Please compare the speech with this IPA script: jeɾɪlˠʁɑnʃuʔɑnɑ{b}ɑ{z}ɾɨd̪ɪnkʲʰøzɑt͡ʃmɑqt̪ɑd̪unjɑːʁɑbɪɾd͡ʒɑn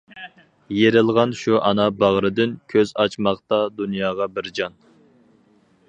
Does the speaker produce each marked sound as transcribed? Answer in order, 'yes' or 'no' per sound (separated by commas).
yes, no